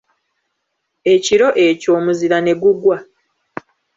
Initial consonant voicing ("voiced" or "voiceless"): voiceless